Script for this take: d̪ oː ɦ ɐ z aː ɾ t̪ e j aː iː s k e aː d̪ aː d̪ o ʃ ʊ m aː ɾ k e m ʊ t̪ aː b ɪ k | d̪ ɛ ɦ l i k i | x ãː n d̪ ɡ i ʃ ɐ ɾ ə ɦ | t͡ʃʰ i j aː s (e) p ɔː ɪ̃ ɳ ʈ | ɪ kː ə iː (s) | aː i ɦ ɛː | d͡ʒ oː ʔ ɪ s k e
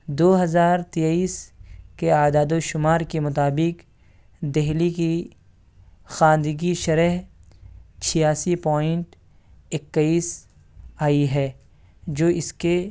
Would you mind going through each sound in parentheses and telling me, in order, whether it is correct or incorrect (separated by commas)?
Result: incorrect, correct